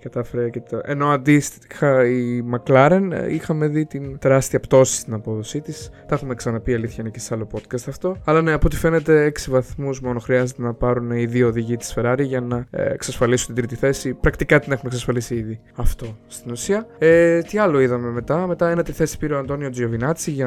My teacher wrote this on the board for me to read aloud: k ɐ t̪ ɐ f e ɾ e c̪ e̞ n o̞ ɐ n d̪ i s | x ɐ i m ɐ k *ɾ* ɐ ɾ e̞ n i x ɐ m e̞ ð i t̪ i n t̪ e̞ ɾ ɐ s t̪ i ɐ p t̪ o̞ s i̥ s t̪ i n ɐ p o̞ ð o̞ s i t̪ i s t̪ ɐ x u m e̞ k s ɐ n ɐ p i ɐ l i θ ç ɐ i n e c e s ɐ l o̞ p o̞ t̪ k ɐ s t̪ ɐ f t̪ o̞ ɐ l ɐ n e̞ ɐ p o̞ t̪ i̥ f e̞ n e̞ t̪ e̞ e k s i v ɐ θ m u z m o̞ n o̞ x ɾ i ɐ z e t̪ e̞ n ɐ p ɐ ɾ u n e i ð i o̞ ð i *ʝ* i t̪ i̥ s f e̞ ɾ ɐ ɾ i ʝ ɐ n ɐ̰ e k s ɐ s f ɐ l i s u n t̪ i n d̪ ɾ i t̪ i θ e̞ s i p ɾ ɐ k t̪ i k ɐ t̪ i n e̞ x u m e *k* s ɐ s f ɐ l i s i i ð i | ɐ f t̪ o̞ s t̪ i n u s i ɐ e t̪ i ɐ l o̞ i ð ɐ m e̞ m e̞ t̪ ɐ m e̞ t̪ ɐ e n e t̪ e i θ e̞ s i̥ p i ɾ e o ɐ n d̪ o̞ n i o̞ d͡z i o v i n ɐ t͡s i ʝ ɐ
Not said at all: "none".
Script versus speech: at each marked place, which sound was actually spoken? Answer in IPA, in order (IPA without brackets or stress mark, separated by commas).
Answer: l, ʝ, k